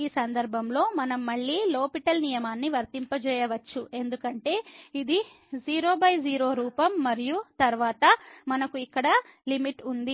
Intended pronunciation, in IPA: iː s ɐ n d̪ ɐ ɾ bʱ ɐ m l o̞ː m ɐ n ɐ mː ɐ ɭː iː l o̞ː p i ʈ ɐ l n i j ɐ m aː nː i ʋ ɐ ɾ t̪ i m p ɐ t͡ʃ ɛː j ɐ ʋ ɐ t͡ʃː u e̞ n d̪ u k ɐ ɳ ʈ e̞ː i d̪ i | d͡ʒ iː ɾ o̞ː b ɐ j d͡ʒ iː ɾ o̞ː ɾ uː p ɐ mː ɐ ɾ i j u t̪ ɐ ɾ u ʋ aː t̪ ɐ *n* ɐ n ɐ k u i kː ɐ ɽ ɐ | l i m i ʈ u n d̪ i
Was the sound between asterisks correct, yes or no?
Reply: no